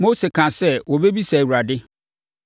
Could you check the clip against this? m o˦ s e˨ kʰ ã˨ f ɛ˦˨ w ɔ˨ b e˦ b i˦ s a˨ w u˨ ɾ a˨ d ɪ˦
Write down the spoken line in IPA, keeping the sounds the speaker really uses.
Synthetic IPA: m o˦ s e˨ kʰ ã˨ s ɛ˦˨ w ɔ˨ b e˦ b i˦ s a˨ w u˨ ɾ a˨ d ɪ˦